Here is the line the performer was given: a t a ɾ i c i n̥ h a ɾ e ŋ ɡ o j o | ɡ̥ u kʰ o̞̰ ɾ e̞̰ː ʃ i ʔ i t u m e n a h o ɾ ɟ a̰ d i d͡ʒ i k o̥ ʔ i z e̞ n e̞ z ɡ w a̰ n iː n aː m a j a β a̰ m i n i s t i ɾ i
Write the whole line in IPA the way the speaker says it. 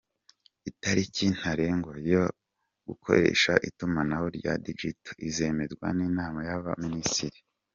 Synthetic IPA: i t a ɾ i c i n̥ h a ɾ e ŋ ɡ o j o | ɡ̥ u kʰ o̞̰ ɾ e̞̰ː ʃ a ʔ i t u m a n a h o ɾ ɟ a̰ d i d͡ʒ i t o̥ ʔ i z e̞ m e̞ z ɡ w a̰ n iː n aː m a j a β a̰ m i n i s t i ɾ i